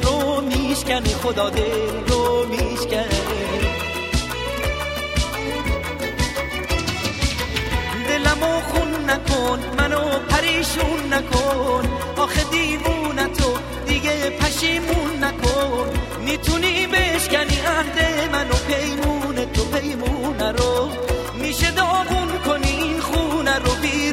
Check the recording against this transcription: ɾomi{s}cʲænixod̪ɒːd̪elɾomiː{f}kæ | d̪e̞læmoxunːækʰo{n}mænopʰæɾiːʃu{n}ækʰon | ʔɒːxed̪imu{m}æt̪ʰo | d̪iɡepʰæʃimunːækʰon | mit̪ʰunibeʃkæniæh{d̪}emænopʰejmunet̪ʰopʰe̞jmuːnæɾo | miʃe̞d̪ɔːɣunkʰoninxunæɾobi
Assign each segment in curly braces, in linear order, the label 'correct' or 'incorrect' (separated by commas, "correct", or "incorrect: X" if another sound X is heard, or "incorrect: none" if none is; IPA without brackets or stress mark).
incorrect: ʃ, incorrect: ʃ, correct, incorrect: nː, incorrect: n, correct